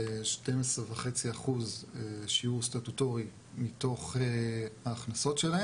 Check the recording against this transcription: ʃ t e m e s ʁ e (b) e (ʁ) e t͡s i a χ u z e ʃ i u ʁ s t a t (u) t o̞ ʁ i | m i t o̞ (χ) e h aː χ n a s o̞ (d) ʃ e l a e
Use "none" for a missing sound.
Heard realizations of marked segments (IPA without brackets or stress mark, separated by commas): v, χ, u, χ, t